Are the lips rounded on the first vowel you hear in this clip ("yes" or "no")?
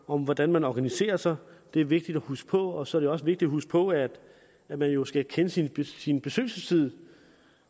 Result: yes